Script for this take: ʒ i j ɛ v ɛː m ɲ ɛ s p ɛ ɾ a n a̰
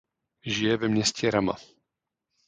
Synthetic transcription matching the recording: ʒ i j ɛ v ɛ m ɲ ɛ s c ɛ ɾ a m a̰